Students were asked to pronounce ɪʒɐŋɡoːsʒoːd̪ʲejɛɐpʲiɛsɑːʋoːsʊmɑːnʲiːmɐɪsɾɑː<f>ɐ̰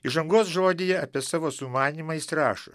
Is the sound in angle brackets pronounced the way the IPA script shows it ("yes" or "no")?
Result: no